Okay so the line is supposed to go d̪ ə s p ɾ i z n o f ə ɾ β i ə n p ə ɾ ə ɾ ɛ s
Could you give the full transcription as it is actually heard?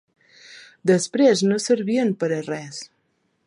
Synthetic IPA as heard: d̪ ə s p ɾ e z n o s ə ɾ β i ə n p ə ɾ ə r ɛ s